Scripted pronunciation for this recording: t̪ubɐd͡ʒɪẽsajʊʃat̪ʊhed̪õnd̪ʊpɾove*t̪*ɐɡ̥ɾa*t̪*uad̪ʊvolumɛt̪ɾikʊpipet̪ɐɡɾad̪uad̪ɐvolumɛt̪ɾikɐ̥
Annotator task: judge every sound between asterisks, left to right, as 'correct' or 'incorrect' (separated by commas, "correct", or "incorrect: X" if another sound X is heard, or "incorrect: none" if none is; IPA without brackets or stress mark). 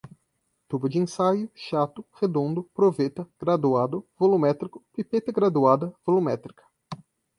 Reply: correct, incorrect: d̪